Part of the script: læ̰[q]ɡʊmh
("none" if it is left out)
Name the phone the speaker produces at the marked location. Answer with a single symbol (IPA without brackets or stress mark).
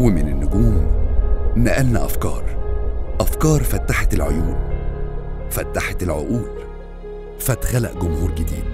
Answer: ʔ